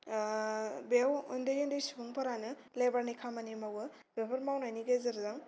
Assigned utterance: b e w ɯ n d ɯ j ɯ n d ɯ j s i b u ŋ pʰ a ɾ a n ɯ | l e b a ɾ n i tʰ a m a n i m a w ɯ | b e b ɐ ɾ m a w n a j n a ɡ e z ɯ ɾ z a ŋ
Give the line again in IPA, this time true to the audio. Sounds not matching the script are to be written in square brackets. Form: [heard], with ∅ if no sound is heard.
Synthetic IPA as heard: b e w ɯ n d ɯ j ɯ n d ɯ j s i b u ŋ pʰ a ɾ a n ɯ | l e b a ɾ n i [kʰ] a m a n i m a w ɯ | b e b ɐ ɾ m a w n a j n [i] ɡ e z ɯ ɾ z a ŋ